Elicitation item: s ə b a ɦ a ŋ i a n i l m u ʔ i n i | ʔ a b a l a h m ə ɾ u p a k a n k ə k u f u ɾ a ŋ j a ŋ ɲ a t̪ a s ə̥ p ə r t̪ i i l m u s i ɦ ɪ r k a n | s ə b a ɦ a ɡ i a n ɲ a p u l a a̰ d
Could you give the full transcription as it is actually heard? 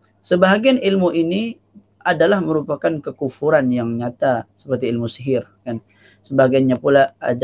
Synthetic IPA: s ə b a ɦ a ɡ i a n i l m u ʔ i n i | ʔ a d a l a h m ə ɾ u p a k a n k ə k u f u ɾ a n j a ŋ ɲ a t̪ a s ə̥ p ə r t̪ i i l m u s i ɦ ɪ r k a n | s ə b a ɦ a ɡ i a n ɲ a p u l a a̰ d